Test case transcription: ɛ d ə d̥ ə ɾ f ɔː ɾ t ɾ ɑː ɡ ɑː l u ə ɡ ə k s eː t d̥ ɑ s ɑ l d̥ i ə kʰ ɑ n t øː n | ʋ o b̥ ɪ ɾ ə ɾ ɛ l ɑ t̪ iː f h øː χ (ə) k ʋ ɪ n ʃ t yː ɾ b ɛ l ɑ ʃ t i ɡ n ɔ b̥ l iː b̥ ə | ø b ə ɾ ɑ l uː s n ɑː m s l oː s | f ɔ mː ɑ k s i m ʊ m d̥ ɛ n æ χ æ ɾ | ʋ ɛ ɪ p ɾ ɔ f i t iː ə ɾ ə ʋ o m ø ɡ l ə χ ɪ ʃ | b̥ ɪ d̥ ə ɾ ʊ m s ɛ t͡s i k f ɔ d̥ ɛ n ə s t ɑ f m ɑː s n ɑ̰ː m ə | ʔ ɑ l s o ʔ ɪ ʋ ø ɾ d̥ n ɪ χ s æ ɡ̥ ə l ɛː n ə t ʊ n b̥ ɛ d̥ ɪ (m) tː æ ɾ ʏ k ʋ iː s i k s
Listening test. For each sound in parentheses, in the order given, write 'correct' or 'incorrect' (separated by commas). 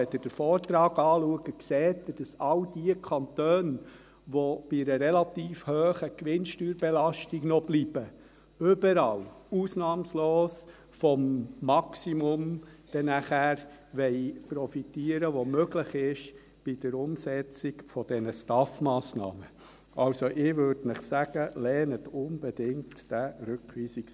correct, incorrect